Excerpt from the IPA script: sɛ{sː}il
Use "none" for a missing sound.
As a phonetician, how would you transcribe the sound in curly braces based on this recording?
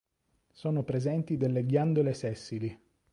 sː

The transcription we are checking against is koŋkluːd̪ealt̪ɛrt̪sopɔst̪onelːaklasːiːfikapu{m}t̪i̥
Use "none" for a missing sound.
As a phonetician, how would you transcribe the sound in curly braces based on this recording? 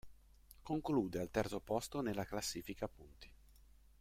n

